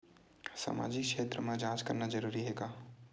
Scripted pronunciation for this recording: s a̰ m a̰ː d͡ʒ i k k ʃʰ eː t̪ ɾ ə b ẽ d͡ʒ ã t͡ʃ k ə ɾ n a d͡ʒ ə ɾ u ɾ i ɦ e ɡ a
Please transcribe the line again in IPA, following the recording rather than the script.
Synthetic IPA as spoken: s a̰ m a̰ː d͡ʒ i k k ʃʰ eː t̪ ɾ ə m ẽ d͡ʒ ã t͡ʃ k ə ɾ n a d͡ʒ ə ɾ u ɾ i ɦ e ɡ a